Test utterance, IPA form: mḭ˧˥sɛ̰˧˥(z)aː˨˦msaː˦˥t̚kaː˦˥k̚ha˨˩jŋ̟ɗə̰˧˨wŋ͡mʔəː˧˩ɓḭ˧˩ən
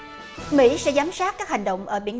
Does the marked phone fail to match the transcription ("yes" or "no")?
no